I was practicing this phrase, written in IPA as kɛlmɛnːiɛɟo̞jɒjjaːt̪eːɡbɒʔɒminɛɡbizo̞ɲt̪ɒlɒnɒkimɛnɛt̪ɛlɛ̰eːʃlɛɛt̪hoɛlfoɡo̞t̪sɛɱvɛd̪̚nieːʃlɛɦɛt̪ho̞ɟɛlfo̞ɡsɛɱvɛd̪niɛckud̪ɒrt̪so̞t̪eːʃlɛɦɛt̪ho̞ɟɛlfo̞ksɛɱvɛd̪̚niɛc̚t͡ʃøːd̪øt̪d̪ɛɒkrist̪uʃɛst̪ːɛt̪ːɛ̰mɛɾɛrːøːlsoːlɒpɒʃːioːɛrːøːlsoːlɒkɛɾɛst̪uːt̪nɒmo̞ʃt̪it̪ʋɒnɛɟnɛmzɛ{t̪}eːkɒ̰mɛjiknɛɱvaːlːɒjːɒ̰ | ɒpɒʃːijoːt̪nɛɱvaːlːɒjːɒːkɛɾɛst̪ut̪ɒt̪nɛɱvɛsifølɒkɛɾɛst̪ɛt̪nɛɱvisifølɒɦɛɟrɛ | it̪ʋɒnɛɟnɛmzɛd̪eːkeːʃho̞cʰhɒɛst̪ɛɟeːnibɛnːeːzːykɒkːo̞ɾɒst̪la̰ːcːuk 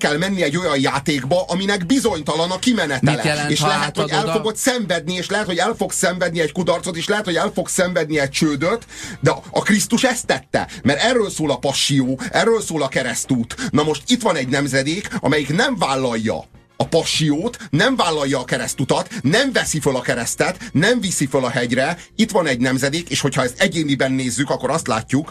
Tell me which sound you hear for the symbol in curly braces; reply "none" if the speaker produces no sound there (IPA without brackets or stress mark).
d̪